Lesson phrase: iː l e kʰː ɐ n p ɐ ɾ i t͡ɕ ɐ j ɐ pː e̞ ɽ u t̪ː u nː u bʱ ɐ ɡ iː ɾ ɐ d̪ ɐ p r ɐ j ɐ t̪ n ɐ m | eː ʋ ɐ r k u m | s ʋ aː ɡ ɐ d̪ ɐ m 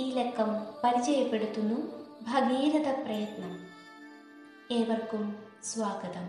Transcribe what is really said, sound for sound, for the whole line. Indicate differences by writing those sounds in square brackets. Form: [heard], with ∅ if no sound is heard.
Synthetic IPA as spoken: iː l e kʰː ɐ [m] p ɐ ɾ i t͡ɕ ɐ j ɐ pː e̞ ɽ u t̪ː u nː u bʱ ɐ ɡ iː ɾ ɐ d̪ ɐ p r ɐ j ɐ t̪ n ɐ m | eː ʋ ɐ r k u m | s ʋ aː ɡ ɐ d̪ ɐ m